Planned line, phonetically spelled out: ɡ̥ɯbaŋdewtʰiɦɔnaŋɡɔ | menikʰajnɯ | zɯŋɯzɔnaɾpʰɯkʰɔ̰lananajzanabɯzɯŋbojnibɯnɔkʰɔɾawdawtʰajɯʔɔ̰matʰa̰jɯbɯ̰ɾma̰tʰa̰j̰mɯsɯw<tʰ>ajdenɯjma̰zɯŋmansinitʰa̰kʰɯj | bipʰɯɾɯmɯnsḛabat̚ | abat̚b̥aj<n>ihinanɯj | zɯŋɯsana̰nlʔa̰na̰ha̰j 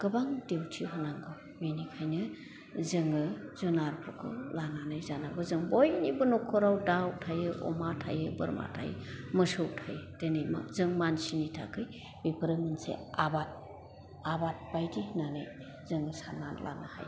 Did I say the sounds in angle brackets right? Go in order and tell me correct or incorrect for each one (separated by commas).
correct, incorrect